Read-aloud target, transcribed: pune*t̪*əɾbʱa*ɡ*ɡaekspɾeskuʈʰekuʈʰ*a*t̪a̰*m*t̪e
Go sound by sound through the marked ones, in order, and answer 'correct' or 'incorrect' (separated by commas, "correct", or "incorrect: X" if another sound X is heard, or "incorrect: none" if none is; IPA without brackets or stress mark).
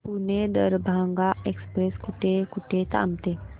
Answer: incorrect: d̪, incorrect: ŋ, incorrect: e, correct